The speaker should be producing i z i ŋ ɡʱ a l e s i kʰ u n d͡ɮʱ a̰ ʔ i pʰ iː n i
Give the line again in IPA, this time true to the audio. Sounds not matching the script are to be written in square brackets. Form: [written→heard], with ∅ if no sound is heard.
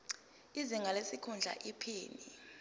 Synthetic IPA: i z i ŋ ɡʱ a l e s i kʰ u n d͡ɮʱ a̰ ʔ i pʰ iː n i